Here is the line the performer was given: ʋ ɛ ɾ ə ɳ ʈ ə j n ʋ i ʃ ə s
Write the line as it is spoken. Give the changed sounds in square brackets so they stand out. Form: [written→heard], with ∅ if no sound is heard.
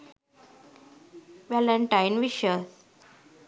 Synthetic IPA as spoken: ʋ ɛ [ɾ→l] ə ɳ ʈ [ə→a] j n ʋ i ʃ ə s